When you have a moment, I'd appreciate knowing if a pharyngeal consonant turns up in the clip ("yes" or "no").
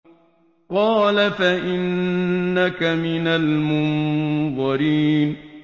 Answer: no